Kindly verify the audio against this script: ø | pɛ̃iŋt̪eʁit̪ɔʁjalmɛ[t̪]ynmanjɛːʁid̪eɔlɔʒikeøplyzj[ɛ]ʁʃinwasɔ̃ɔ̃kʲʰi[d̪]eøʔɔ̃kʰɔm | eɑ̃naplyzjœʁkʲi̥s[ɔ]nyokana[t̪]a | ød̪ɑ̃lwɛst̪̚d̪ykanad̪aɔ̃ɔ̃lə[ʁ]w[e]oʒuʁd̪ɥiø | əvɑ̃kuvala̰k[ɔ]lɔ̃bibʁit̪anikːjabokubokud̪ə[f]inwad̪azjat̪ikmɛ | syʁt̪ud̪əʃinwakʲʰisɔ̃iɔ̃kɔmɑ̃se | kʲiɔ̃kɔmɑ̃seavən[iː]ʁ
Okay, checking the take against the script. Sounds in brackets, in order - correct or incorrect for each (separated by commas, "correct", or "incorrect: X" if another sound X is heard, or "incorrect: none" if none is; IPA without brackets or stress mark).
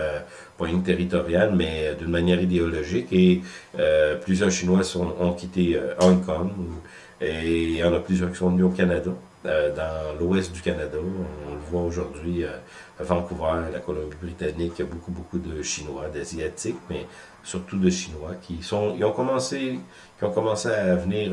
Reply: incorrect: d̪, incorrect: œ, incorrect: t̪, incorrect: ɔ̃, incorrect: d̪, incorrect: v, incorrect: a, correct, incorrect: ʃ, correct